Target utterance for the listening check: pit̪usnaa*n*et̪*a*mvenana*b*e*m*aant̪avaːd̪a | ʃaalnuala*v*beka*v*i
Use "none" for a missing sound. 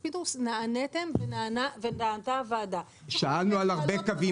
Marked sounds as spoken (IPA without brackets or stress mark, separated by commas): n, e, v, n, ʁ, v